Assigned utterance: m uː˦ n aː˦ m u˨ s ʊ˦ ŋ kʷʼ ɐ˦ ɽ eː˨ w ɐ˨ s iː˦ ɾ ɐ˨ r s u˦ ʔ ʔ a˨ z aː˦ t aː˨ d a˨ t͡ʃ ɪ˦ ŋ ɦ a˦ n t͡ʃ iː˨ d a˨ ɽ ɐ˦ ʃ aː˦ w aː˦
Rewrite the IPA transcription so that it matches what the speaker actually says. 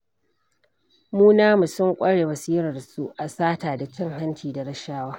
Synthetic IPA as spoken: m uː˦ n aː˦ m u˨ s ʊ˦ ŋ kʷʼ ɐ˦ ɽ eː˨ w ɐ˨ s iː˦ ɾ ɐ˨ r s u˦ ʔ ʔ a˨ s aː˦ t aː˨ d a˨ t͡ʃ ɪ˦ ŋ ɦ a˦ n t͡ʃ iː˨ d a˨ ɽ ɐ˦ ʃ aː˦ w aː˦